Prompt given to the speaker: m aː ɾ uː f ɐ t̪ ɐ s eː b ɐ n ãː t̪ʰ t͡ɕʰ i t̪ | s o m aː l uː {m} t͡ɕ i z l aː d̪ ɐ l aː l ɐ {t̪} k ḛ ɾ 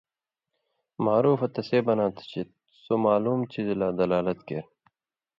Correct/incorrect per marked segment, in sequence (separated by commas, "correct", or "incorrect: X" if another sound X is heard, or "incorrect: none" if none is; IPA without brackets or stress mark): correct, correct